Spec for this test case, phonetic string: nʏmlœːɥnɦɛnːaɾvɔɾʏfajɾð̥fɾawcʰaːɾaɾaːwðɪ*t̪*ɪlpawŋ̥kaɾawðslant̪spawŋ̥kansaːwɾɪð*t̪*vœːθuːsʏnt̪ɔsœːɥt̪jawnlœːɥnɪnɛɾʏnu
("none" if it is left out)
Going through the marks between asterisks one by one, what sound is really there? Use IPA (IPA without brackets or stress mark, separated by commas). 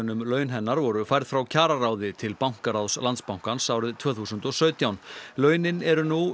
t̪ʰ, t̪ʰ